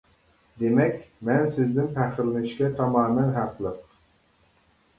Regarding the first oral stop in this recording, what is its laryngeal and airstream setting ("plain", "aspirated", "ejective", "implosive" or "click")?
plain